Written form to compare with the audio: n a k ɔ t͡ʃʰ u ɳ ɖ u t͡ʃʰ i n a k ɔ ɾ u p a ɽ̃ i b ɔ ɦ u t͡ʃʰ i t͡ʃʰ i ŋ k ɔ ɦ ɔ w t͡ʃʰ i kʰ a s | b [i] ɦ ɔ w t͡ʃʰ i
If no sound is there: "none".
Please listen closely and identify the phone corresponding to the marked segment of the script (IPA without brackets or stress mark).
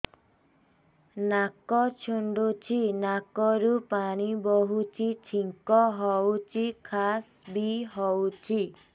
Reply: i